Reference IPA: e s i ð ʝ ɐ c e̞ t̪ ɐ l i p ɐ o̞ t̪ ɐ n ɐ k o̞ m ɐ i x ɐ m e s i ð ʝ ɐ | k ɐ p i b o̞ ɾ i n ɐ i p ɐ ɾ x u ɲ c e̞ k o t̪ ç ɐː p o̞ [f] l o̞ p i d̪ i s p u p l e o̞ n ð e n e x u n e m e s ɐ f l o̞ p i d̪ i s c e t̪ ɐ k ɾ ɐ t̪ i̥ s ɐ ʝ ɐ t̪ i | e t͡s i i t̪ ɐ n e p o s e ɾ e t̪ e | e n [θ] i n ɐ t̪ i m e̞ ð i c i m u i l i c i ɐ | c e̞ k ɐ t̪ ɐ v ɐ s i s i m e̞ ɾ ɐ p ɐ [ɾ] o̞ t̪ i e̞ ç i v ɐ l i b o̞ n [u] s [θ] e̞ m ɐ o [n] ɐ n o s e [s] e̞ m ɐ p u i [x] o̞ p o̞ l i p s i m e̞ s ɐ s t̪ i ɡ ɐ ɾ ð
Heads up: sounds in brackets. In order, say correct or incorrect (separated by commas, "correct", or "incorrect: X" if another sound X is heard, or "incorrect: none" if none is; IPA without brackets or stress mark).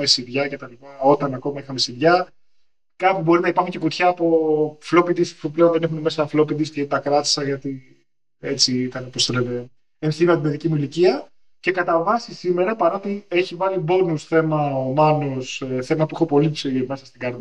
correct, correct, correct, correct, correct, incorrect: m, incorrect: θ, correct